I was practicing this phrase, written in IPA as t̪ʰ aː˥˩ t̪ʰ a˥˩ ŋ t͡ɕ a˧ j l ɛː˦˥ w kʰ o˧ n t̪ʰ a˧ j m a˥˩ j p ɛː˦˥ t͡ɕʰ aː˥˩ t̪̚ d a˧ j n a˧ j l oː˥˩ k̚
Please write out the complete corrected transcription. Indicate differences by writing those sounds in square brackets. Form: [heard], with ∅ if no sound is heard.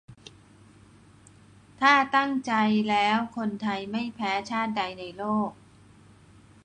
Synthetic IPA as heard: t̪ʰ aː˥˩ [t̪] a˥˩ ŋ t͡ɕ a˧ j l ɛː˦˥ w kʰ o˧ n t̪ʰ a˧ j m a˥˩ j [pʰ] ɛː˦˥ t͡ɕʰ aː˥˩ t̪̚ d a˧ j n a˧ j l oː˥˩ k̚